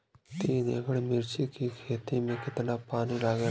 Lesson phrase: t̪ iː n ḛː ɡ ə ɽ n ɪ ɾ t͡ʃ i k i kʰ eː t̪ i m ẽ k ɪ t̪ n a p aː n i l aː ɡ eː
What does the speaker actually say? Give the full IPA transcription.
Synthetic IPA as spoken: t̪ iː n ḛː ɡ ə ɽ m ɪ ɾ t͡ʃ i k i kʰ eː t̪ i m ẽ k ɪ t̪ n a p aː n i l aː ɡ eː